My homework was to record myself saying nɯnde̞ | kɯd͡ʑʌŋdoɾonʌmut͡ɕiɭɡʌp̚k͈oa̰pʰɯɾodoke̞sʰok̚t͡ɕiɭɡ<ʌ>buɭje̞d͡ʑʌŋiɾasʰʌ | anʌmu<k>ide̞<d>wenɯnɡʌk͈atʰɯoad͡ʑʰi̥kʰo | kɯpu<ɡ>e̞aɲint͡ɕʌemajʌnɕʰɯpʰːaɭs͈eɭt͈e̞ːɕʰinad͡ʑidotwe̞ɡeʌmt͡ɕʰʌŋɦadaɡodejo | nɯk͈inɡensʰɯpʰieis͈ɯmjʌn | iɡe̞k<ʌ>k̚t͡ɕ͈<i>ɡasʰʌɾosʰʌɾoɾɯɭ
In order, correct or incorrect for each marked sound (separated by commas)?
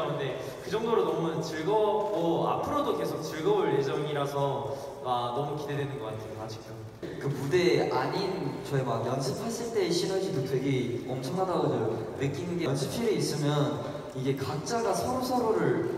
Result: correct, correct, correct, incorrect, incorrect, incorrect